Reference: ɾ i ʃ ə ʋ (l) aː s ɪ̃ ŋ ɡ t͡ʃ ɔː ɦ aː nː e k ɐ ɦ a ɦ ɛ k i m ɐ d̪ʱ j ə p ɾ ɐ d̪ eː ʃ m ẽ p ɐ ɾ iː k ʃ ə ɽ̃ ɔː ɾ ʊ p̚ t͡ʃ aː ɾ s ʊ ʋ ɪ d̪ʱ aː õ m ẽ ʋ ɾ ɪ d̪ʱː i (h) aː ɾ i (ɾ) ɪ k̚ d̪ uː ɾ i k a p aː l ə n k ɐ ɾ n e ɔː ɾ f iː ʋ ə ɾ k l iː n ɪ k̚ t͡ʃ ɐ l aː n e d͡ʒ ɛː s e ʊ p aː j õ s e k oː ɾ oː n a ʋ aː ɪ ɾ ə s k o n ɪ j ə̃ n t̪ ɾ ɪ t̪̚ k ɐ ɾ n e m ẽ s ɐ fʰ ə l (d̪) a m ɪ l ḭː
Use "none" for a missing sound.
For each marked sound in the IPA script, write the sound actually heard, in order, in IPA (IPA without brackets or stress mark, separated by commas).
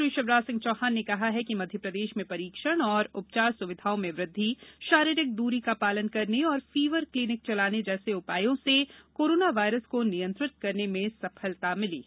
ɾ, ʃ, ɾ, t̪